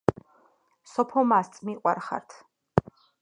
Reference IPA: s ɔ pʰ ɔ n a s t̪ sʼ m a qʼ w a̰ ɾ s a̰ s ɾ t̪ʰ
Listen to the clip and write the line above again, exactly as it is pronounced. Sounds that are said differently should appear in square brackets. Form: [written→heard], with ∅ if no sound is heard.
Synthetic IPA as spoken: s ɔ pʰ ɔ [n→m] a s t̪ sʼ m [a→i] qʼ w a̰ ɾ [s→χ] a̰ [s→∅] ɾ t̪ʰ